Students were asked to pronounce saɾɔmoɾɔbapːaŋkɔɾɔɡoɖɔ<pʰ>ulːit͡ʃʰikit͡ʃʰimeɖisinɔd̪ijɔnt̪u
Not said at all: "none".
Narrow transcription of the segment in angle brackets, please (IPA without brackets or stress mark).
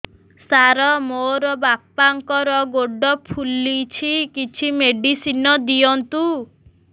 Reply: pʰ